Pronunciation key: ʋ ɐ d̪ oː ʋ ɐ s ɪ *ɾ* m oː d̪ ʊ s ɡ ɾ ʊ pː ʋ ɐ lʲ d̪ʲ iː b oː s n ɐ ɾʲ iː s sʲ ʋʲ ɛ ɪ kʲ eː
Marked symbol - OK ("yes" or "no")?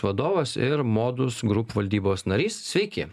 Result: yes